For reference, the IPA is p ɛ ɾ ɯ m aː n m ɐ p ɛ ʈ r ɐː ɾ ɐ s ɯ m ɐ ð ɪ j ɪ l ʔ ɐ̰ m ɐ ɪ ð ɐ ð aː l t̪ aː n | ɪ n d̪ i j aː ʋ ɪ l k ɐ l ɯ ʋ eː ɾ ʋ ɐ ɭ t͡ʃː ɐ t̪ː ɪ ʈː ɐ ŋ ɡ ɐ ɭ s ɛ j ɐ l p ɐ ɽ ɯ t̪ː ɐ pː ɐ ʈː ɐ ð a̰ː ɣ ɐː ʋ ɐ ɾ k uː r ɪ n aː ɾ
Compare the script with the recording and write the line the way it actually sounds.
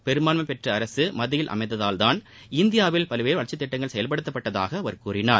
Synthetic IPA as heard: p ɛ ɾ ɯ m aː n m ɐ p ɛ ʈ r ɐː ɾ ɐ s ɯ m ɐ ð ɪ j ɪ l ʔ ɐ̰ m ɐ ɪ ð ɐ ð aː l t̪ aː n | ɪ n d̪ ɪ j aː ʋ ɪ l p ɐ l ɯ ʋ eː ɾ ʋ ɐ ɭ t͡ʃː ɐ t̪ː ɪ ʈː ɐ ŋ ɡ ɐ ɭ s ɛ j ɐ l p ɐ ɽ ɯ t̪ː ɐ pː ɐ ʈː ɐ ð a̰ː ɣ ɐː ʋ ɐ ɾ k uː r ɪ n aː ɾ